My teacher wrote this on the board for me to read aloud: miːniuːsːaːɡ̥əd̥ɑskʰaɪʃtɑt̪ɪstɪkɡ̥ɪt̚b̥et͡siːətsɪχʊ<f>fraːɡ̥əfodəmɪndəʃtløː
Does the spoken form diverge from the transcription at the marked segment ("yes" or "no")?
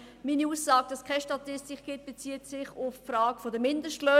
no